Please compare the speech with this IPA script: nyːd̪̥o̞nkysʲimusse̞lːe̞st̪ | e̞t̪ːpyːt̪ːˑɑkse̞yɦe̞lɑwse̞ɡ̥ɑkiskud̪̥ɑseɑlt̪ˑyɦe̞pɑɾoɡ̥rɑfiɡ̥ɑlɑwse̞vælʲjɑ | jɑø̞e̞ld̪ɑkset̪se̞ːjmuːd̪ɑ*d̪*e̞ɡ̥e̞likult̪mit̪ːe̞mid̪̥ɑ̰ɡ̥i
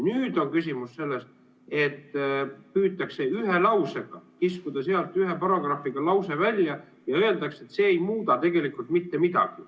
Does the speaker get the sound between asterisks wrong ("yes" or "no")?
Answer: yes